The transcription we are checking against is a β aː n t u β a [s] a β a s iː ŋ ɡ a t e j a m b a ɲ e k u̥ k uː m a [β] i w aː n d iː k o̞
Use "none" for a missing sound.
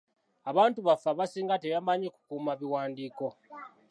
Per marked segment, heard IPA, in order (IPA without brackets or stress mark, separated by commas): f, β